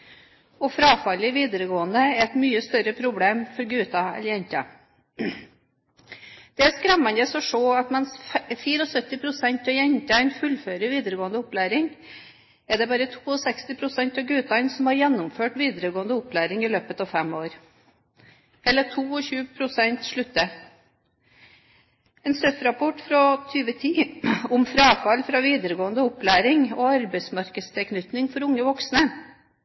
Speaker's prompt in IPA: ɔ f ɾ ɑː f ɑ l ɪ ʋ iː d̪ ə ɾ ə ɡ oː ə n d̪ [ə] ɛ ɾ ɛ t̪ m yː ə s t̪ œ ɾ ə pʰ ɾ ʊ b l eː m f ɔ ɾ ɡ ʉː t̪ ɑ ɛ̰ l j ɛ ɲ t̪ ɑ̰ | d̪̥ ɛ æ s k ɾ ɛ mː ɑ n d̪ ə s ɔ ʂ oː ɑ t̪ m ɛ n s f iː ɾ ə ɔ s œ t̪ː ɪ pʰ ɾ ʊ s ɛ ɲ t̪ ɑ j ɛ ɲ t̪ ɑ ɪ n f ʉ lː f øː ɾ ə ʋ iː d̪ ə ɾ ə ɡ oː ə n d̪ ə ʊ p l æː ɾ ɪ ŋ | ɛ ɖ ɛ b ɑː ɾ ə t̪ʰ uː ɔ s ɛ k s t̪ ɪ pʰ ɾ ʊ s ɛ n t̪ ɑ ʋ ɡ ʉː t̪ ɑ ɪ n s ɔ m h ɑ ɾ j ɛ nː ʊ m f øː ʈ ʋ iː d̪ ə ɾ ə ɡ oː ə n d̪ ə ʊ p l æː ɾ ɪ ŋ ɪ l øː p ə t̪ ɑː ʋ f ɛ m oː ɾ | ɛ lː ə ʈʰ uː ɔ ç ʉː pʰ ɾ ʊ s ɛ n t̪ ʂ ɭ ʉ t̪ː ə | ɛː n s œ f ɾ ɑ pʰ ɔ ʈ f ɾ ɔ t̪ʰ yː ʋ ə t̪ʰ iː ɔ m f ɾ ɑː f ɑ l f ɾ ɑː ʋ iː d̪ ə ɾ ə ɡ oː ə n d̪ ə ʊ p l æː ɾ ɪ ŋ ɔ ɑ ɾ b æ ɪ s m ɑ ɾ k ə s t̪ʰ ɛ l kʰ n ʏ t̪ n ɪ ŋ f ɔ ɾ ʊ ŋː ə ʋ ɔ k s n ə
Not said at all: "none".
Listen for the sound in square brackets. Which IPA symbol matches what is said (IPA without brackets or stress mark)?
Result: ə